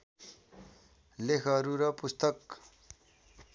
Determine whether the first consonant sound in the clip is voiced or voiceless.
voiced